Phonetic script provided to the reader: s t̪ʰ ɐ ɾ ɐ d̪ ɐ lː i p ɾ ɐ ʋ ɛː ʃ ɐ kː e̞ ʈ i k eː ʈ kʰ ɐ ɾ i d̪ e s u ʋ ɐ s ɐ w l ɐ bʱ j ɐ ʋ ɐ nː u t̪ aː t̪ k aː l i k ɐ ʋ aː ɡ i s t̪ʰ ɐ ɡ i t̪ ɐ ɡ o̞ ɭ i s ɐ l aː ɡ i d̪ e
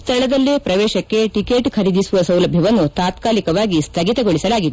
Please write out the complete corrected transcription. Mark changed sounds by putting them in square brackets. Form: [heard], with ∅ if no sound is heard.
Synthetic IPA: s t̪ʰ ɐ [ɭ] ɐ d̪ ɐ lː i p ɾ ɐ ʋ ɛː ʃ ɐ kː e̞ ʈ i k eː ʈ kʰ ɐ ɾ i d̪ [i] s u ʋ ɐ s ɐ w l ɐ bʱ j ɐ ʋ ɐ nː u t̪ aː t̪ k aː l i k ɐ ʋ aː ɡ i s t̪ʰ ɐ ɡ i t̪ ɐ ɡ o̞ ɭ i s ɐ l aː ɡ i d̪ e

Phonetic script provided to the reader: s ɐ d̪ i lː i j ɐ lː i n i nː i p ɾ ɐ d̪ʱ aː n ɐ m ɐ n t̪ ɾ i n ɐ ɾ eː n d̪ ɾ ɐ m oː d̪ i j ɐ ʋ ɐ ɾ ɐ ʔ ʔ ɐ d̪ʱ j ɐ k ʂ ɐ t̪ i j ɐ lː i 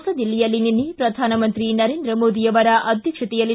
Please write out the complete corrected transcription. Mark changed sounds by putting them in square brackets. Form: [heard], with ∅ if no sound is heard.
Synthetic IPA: s ɐ d̪ i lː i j ɐ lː i n i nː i p ɾ ɐ d̪ʱ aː n ɐ m ɐ n t̪ ɾ i n ɐ ɾ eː n d̪ ɾ ɐ m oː d̪ i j ɐ ʋ ɐ ɾ ɐ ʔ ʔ ɐ d̪ʱ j ɐ k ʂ ɐ t̪ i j ɐ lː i

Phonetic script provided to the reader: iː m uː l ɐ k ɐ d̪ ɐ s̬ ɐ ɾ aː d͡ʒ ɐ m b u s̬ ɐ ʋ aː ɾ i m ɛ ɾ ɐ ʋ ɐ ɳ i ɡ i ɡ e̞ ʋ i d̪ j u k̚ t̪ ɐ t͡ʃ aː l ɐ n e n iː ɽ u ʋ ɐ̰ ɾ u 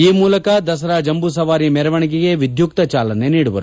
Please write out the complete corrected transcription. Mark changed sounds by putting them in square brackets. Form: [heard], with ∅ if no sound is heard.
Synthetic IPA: iː m uː l ɐ k ɐ d̪ ɐ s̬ ɐ ɾ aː d͡ʒ ɐ m b u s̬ ɐ ʋ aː ɾ i m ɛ ɾ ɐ ʋ ɐ ɳ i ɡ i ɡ e̞ ʋ i d̪ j u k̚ t̪ ɐ t͡ʃ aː l ɐ n e n iː ɽ u ʋ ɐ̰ ɾ u

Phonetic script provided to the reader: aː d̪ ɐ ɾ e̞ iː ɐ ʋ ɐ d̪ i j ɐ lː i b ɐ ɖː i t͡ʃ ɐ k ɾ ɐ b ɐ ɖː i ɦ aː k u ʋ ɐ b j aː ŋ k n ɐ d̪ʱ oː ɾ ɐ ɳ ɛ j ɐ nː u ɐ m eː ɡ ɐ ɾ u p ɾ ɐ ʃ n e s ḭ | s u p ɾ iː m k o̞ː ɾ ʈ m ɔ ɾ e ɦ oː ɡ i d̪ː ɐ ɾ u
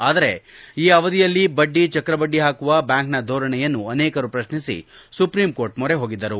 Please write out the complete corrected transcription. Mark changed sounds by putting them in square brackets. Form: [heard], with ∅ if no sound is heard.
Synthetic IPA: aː d̪ ɐ ɾ e̞ iː ɐ ʋ ɐ d̪ i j ɐ lː i b ɐ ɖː i t͡ʃ ɐ k ɾ ɐ b ɐ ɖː i ɦ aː k u ʋ ɐ b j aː ŋ k n ɐ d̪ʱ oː ɾ ɐ ɳ ɛ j ɐ nː u ɐ [n] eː [k] ɐ ɾ u p ɾ ɐ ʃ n [i] s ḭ | s u p ɾ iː m k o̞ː ɾ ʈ m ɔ ɾ e ɦ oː ɡ i d̪ː ɐ ɾ u

